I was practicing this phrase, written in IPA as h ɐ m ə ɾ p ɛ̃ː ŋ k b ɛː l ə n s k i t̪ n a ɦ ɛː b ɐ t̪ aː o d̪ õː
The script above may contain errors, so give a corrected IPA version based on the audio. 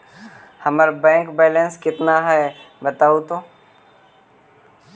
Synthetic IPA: h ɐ m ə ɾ b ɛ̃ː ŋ k b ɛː l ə n s k ɪ t̪ n a ɦ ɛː b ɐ t̪ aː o t̪ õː